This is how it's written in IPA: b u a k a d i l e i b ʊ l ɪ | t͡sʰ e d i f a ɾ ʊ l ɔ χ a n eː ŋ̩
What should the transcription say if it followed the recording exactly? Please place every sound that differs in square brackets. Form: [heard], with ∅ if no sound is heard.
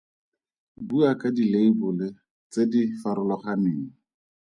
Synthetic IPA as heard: b u a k a d i l e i b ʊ l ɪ | [t͡s] e d i f a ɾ ʊ l ɔ χ a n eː ŋ̩